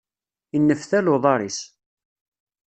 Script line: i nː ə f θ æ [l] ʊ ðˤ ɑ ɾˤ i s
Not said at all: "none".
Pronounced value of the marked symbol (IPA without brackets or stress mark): l